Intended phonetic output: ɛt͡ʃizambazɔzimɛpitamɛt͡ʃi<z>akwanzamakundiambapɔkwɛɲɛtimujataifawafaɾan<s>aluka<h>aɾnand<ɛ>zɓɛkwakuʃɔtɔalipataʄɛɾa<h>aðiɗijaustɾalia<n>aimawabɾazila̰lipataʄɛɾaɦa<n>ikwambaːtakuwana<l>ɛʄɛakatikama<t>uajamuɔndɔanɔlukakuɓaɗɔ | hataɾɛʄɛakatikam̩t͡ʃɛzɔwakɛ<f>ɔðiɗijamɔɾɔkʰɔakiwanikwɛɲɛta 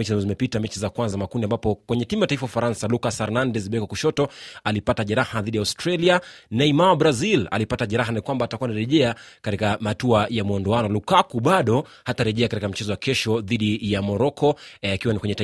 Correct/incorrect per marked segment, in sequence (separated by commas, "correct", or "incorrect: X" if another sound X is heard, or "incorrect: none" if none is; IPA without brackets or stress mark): correct, correct, incorrect: s, correct, correct, correct, correct, incorrect: ɾ, correct, incorrect: ʃ